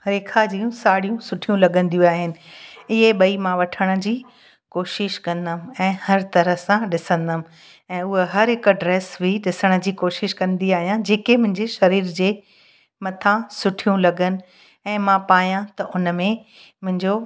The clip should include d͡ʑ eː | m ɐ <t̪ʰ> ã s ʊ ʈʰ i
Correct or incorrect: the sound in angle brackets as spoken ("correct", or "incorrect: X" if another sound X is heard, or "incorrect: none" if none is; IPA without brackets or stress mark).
correct